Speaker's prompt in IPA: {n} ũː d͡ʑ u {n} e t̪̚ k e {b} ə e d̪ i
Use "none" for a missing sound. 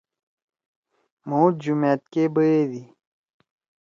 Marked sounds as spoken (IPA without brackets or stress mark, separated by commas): m, m, b